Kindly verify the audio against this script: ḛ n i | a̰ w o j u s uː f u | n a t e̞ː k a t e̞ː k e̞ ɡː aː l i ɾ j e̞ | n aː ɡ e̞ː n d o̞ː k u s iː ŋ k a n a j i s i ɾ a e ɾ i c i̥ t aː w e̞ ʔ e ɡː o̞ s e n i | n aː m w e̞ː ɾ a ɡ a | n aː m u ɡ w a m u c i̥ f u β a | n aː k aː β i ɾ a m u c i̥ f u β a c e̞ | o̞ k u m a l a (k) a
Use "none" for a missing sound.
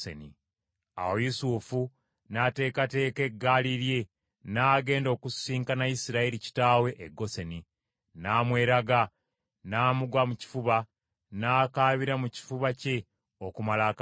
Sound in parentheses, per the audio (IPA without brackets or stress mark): k